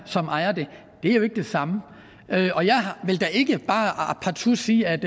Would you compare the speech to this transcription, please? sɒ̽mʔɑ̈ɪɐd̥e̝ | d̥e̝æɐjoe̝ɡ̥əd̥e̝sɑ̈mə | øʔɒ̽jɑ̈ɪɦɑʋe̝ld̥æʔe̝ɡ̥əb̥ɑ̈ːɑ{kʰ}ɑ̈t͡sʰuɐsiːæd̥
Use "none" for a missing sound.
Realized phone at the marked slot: pʰ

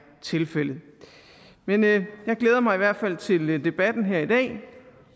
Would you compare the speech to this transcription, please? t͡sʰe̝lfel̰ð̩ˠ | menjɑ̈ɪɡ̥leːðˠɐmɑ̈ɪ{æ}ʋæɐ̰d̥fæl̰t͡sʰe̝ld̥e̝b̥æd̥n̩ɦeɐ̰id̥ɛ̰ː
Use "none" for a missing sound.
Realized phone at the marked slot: i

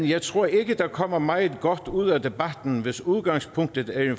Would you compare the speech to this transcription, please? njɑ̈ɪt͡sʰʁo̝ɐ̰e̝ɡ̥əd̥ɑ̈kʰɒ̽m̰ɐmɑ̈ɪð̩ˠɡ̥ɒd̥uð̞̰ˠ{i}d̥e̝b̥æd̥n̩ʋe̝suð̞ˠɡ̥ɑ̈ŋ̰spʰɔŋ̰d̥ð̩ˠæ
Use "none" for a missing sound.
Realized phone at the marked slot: æ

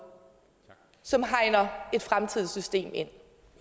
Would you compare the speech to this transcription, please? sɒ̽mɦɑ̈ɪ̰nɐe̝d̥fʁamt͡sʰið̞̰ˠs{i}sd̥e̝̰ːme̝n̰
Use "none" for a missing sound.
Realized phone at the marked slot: y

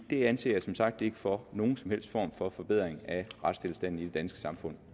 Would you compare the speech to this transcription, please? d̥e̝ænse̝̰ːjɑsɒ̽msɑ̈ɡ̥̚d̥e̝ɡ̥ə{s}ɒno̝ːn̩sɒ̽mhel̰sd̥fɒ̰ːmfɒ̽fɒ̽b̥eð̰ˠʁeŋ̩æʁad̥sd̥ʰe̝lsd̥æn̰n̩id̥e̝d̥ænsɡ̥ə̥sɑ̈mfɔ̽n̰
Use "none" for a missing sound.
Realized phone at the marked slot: f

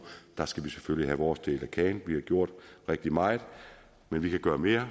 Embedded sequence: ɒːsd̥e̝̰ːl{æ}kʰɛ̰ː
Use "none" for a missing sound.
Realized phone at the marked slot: æ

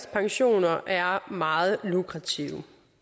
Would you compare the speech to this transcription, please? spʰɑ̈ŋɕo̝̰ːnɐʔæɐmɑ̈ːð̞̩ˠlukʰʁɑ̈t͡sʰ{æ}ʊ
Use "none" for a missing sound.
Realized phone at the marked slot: i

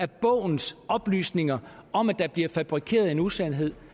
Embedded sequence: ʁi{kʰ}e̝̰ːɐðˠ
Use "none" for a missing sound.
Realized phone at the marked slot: kʰ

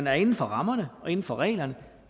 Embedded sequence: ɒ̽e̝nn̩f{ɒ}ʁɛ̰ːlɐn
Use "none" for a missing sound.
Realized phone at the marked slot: ɒ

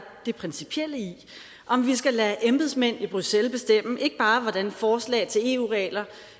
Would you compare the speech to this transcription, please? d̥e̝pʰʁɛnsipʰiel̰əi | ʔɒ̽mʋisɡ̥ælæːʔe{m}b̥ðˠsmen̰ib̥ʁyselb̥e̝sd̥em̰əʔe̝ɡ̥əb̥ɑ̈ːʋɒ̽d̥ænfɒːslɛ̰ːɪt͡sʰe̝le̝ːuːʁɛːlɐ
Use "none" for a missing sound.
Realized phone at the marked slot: m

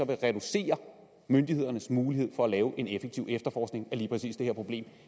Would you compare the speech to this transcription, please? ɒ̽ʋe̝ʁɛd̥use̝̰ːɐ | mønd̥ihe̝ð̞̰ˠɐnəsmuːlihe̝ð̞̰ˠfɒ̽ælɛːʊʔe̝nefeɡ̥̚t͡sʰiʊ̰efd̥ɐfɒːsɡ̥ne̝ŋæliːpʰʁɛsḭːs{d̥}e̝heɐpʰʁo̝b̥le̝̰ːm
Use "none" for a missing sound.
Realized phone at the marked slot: d̥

